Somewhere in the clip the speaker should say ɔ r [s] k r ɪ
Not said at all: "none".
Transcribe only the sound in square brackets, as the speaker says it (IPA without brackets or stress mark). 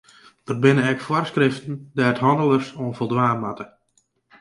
s